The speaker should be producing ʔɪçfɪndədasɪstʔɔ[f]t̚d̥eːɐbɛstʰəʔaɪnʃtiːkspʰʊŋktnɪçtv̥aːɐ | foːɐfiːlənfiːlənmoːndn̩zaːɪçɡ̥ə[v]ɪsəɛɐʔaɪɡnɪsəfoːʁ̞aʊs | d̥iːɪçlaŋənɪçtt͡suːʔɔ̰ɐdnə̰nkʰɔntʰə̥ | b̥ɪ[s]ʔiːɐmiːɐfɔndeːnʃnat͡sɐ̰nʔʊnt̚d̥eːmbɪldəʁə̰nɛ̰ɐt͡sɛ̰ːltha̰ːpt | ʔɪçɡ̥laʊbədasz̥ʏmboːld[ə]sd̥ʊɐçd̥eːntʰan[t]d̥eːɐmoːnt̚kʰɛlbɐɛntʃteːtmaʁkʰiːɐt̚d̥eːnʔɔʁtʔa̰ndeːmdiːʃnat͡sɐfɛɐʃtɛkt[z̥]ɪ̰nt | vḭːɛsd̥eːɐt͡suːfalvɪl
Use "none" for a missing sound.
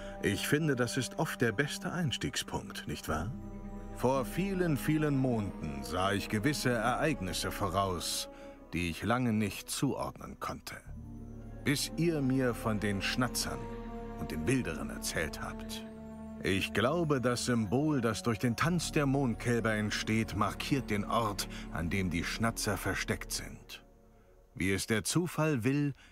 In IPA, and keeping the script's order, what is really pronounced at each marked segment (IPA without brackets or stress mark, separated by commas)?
f, v, s, a, t͡s, z̥